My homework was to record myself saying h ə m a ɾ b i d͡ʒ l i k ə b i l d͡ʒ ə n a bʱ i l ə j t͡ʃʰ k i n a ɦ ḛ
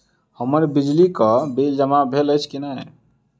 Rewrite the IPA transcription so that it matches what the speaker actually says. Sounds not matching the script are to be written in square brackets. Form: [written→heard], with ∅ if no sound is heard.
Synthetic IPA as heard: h ə m [a→ə] ɾ b i d͡ʒ l i k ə b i l d͡ʒ ə [n→m] a bʱ [i→e] l ə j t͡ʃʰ k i n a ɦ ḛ